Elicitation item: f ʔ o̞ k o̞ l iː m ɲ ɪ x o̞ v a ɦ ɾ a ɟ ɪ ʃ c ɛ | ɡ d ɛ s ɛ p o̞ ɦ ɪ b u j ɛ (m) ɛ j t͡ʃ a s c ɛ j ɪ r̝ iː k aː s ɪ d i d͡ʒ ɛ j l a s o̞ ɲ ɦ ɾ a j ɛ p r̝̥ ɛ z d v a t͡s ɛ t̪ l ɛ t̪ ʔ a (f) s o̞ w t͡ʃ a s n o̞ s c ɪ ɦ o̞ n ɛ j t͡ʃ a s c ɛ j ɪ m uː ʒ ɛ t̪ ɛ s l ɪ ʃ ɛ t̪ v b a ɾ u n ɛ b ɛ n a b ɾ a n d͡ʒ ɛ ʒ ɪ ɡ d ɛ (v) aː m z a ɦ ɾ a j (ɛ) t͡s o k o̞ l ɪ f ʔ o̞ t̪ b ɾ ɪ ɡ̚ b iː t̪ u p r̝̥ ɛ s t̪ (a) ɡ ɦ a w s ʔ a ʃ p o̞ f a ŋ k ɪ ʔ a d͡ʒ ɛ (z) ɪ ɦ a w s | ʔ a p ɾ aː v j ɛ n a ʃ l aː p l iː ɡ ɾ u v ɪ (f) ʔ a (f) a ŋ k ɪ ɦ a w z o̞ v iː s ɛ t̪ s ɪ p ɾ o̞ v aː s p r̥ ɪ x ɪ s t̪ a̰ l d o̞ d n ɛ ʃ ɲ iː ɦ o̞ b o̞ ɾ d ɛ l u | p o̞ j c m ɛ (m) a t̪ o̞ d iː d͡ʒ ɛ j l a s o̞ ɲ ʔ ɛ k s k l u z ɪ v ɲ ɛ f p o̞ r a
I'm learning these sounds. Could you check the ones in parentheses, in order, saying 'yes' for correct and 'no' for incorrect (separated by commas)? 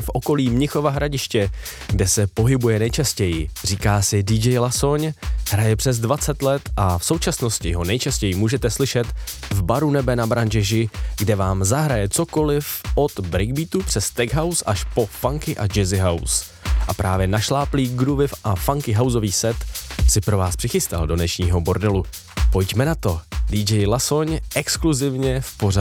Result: no, yes, yes, yes, no, yes, yes, yes, no